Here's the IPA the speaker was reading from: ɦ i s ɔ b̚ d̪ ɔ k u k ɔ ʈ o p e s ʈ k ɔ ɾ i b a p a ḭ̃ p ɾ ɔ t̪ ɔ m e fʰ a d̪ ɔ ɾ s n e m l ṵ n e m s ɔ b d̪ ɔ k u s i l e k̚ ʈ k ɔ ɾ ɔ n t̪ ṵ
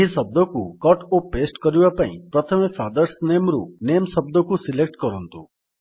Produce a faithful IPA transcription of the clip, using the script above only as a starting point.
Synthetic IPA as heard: ɦ i s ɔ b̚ d̪ ɔ k u k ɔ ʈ o p e s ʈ k ɔ ɾ i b a p a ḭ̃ p ɾ ɔ t̪ʰ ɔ m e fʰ a d̪ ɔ ɾ s n e m ɾ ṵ n e m s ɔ b d̪ ɔ k u s i l e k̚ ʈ k ɔ ɾ ɔ n t̪ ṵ